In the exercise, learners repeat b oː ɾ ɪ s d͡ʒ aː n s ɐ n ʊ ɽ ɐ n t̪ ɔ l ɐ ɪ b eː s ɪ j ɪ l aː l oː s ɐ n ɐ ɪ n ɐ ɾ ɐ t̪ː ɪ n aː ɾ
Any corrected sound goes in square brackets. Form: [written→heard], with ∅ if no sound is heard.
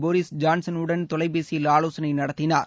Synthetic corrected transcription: b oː ɾ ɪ s d͡ʒ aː n s ɐ n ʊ ɽ ɐ n t̪ ɔ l ɐ ɪ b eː s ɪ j ɪ l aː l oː s ɐ n ɐ ɪ n ɐ [ɾ→ɽ] ɐ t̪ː ɪ n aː ɾ